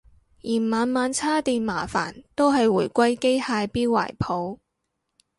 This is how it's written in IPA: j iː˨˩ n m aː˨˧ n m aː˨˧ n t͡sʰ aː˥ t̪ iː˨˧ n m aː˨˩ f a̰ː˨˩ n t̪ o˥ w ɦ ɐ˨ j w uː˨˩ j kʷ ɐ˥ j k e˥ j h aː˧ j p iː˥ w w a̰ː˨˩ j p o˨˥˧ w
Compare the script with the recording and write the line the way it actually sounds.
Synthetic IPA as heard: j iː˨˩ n m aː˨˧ n m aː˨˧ n t͡sʰ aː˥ t̪ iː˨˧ n m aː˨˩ f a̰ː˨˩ n t̪ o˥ w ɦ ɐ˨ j w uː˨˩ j kʷ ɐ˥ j k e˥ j h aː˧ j p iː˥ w w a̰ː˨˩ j pʰ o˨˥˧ w